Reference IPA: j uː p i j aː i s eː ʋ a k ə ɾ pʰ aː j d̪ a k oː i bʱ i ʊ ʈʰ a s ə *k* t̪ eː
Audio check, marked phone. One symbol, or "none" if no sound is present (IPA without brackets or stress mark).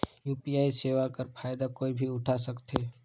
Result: k